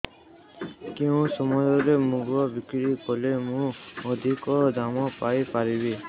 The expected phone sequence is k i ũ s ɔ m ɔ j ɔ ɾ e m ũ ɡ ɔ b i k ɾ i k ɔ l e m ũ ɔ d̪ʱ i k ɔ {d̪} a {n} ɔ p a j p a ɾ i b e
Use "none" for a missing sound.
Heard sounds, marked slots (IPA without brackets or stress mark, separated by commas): d̪, m